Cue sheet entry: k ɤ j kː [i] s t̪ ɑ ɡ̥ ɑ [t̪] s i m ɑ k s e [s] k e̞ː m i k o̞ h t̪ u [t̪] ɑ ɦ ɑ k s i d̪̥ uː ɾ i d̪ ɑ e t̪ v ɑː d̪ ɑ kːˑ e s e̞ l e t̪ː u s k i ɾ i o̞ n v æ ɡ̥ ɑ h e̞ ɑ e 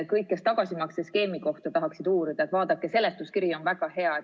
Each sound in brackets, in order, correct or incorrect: incorrect, incorrect, correct, correct

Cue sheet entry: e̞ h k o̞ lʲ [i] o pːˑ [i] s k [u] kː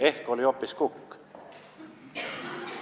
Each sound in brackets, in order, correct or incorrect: correct, correct, correct

